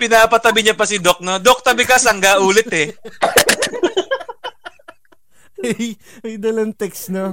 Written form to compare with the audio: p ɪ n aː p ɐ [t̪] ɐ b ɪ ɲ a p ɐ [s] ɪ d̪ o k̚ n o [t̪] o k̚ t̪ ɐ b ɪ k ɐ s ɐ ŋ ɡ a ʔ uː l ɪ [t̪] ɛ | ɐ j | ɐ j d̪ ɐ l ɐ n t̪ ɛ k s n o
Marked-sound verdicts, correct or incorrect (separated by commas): correct, correct, incorrect, correct